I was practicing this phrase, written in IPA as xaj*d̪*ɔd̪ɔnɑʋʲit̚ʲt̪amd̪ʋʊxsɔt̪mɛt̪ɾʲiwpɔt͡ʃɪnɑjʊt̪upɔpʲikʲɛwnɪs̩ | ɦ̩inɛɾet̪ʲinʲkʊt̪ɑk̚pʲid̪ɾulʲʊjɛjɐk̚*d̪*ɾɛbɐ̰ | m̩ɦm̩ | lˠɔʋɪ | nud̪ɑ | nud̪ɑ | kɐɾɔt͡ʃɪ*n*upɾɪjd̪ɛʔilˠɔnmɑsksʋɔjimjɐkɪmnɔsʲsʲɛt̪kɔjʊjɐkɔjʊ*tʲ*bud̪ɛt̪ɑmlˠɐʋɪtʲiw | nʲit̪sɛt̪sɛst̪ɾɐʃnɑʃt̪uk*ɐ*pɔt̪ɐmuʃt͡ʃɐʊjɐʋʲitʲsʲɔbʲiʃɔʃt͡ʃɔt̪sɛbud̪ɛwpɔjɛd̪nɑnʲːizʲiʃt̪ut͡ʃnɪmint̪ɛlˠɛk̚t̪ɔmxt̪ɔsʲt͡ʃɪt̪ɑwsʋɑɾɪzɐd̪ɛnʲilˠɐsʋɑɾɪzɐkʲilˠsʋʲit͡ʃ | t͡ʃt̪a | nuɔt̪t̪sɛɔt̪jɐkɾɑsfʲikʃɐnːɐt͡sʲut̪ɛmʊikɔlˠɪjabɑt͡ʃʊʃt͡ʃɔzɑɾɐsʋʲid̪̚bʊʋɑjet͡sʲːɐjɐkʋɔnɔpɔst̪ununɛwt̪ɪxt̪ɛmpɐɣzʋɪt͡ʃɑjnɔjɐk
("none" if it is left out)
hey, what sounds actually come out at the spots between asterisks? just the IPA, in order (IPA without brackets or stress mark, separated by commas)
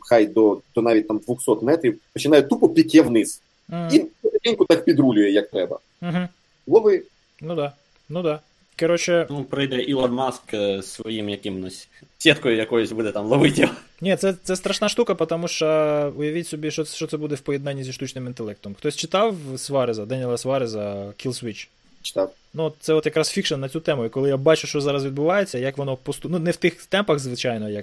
d̪, t̪, n, sʲ, ɐ